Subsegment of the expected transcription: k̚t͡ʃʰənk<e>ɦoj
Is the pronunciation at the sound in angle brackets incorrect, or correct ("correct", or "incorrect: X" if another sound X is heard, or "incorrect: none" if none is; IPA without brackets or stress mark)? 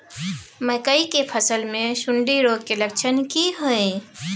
incorrect: i